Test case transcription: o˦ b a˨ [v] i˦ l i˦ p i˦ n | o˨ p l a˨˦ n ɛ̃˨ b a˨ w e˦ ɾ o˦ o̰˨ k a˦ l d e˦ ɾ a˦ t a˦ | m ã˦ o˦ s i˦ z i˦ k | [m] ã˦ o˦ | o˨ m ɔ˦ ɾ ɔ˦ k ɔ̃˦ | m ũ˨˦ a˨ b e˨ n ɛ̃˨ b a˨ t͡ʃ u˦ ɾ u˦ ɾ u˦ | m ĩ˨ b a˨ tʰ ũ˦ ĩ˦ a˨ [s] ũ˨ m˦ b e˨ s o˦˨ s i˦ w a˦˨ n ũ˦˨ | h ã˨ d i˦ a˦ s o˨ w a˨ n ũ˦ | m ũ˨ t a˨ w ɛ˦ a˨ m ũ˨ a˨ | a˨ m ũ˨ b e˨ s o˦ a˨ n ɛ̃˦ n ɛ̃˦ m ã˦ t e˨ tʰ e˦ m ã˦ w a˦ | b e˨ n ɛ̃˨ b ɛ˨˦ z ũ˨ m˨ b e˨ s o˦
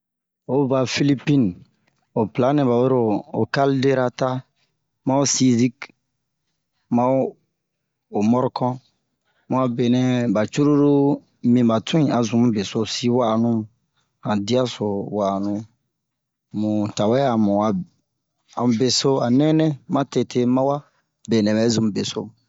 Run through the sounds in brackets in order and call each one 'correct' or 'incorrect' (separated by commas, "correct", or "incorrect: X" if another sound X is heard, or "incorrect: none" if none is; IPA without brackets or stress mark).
incorrect: f, correct, incorrect: z